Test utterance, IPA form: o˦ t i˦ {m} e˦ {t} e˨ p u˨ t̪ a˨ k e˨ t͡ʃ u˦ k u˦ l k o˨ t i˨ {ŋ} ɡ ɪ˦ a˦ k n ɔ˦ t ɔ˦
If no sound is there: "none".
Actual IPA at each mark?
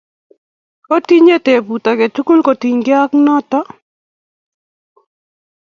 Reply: ɲ, t, ɲ

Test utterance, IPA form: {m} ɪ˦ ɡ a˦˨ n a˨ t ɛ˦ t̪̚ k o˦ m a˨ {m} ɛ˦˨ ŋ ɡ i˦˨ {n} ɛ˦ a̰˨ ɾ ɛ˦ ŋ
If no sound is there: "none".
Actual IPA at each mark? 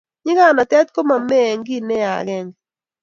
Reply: ɲ, m, n

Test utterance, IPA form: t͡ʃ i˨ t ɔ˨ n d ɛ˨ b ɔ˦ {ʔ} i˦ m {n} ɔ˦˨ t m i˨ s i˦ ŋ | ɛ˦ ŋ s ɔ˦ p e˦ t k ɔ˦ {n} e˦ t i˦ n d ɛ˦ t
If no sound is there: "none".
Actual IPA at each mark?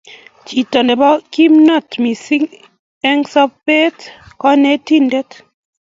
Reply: k, n, n

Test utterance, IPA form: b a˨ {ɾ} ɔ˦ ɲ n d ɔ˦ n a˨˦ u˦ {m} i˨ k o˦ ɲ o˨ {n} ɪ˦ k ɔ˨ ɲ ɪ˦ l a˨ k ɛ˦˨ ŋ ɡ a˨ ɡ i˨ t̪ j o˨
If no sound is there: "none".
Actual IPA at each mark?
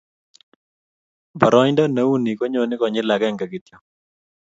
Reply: ɾ, n, n

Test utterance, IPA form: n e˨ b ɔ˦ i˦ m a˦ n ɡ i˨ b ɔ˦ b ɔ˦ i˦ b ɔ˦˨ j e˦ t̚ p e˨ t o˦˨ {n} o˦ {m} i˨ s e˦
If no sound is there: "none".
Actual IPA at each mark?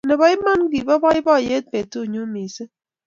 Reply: ɲ, m

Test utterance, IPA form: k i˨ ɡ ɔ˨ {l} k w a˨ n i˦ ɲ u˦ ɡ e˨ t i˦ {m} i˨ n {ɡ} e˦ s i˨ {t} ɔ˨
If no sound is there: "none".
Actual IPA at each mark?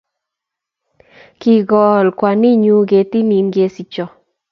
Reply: l, n, ɡ, t͡ʃ

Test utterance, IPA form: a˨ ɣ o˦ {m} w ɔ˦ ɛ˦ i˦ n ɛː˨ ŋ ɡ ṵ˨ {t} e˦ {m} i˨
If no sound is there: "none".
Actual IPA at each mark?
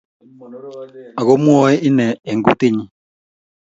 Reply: m, t, ɲ

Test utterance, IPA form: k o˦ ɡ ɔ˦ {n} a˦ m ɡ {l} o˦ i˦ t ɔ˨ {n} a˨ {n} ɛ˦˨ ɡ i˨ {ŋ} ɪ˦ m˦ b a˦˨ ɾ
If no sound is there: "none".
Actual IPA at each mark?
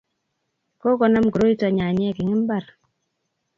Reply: n, ɾ, ɲ, ɲ, ŋ

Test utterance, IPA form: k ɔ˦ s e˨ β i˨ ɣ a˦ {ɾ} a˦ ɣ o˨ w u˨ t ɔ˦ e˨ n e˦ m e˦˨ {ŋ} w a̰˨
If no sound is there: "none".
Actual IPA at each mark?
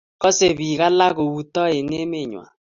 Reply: l, ɲ

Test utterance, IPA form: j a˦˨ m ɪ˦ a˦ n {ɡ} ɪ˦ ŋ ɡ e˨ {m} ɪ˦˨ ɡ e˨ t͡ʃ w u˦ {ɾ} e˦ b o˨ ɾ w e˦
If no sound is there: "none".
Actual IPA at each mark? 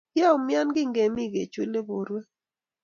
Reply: ɡ, m, l

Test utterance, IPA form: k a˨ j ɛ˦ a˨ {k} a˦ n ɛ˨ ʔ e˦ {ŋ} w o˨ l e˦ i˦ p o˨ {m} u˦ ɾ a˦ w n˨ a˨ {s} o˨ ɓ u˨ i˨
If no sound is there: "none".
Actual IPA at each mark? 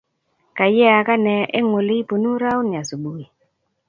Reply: k, ŋ, n, s

